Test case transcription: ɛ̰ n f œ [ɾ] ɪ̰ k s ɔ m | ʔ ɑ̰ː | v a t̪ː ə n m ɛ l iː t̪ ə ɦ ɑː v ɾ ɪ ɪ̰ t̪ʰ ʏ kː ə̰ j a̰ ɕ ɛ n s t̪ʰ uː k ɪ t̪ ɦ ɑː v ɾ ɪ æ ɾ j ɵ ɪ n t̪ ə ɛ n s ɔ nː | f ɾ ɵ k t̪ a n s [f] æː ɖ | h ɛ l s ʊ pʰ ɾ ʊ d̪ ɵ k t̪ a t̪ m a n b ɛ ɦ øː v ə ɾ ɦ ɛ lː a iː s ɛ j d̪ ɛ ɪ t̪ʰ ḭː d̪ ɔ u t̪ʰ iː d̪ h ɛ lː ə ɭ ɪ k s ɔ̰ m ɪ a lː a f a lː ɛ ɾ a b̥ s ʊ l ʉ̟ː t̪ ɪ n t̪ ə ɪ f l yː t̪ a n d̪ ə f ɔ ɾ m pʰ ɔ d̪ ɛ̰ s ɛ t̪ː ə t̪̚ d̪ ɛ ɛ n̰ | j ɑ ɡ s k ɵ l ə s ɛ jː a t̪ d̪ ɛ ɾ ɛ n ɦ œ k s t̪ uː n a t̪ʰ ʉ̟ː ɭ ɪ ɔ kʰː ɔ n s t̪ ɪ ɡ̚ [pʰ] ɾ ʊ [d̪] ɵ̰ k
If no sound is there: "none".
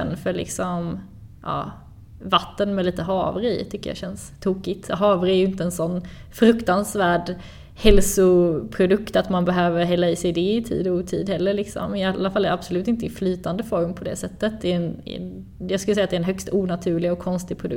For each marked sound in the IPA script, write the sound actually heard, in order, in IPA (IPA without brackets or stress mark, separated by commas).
ɭ, v, pʰ, d̪